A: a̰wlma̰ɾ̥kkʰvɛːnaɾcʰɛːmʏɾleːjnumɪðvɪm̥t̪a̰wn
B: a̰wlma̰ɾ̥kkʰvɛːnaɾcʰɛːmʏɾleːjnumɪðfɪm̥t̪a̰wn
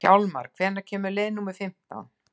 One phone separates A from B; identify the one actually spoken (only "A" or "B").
B